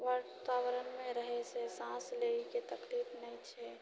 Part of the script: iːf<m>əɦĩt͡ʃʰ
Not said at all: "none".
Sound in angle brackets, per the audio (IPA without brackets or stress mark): n